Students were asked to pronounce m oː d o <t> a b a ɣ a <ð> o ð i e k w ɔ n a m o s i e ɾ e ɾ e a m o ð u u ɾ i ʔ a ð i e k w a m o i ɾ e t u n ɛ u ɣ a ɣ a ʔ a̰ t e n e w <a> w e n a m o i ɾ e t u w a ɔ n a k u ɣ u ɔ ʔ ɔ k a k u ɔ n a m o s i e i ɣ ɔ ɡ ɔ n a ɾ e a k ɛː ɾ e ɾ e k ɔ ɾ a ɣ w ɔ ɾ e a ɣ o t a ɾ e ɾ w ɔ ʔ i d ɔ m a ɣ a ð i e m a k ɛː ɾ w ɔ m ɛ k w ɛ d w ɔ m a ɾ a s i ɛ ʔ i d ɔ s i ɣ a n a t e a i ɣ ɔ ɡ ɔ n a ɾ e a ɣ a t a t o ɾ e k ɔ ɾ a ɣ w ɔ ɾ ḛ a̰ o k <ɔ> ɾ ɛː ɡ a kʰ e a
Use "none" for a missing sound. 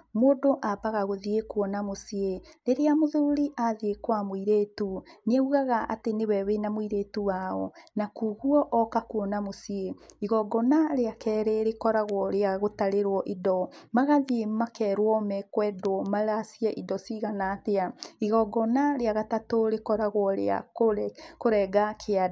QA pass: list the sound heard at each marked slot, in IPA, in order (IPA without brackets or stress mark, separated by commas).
ʔ, ɣ, ɛ, o